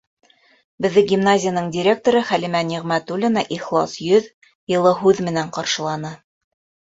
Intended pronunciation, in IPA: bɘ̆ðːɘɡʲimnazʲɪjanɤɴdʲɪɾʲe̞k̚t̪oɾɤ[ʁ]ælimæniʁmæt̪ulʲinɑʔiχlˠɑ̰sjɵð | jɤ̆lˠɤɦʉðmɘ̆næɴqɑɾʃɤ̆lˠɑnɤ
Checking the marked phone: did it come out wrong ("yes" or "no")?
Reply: yes